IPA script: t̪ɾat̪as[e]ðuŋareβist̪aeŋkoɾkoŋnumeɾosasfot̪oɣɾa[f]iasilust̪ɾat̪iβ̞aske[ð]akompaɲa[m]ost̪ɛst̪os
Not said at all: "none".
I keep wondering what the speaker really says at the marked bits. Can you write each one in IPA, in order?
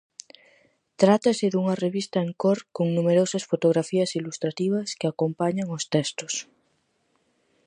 e, f, none, ŋ

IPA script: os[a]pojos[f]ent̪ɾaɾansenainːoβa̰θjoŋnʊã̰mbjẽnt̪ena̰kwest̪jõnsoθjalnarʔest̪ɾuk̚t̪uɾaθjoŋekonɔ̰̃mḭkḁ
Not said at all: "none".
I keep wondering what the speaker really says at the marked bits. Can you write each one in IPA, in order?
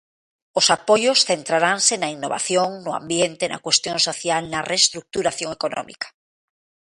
a, θ

